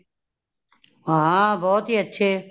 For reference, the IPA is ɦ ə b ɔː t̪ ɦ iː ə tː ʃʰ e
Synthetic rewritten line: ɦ a b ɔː t̪ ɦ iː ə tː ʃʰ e